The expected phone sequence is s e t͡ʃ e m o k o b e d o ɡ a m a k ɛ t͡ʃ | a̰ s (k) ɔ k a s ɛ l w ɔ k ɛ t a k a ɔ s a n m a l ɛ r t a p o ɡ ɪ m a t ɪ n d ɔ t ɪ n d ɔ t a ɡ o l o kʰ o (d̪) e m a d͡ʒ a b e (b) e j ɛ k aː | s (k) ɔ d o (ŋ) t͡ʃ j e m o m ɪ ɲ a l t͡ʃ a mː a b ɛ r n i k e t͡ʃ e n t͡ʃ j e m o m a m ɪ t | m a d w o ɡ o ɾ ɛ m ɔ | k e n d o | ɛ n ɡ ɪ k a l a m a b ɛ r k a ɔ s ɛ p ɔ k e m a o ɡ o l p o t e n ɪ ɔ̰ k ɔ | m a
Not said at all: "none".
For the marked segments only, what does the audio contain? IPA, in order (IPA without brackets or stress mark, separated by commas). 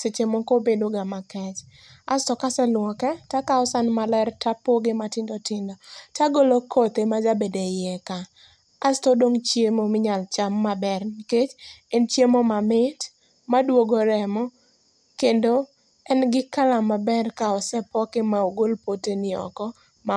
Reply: t, t̪, d, t, ŋ